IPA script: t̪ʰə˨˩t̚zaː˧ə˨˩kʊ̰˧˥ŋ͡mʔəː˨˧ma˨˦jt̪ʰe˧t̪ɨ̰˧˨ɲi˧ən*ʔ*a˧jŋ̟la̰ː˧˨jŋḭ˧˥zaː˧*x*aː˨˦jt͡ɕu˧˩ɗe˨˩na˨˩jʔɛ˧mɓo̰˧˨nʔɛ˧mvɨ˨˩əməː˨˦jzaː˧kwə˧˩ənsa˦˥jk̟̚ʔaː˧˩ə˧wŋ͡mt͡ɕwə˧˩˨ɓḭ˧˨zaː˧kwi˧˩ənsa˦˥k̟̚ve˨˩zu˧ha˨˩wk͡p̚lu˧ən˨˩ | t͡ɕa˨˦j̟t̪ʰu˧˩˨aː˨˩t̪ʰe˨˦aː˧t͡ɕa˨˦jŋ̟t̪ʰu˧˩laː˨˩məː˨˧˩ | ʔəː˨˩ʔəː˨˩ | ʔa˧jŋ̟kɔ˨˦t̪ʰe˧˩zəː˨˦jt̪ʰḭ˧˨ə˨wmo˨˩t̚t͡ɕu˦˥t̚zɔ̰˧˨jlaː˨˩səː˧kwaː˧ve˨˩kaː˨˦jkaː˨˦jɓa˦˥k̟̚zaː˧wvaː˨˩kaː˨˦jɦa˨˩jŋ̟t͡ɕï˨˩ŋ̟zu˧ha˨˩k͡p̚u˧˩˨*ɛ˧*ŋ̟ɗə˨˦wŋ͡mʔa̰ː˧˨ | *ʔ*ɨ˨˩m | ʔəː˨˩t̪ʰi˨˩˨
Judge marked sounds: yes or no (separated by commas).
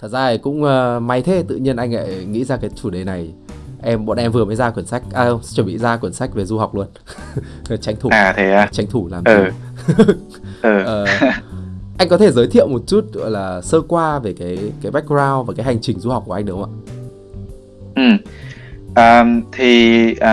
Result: yes, no, no, yes